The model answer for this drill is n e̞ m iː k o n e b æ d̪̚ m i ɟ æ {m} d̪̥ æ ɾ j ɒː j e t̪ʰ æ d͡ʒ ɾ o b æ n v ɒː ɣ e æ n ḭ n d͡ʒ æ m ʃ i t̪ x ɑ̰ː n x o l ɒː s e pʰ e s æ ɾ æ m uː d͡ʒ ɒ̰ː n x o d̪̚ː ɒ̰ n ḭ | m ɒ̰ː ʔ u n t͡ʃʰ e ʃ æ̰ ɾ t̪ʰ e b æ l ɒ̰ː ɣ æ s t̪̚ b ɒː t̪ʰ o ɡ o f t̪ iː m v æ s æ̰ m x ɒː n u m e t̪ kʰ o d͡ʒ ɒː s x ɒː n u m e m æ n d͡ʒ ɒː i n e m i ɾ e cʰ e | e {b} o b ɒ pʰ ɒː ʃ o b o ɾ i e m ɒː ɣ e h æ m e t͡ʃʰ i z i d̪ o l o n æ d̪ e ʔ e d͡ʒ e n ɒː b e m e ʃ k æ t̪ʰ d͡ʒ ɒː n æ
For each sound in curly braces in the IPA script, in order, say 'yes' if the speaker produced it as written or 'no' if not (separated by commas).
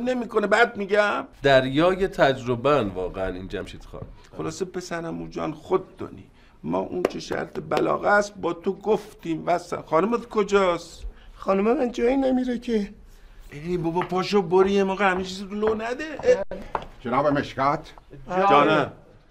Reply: yes, yes